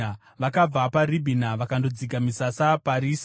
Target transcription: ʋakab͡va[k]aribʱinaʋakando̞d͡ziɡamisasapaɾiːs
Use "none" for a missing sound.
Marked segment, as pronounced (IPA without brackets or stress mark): p